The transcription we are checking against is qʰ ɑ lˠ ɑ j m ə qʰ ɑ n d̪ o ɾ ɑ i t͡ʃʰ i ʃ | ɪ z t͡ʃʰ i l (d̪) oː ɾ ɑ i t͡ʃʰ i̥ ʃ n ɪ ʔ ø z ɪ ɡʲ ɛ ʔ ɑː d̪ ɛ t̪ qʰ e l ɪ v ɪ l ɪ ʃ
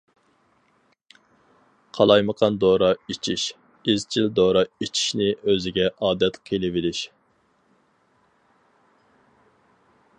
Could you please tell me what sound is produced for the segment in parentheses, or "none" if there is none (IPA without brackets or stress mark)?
d̪